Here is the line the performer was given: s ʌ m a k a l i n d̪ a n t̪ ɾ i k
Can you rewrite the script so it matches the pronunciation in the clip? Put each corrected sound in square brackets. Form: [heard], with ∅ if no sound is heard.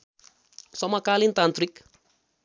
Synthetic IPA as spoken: s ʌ m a k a l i n [t̪] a n t̪ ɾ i k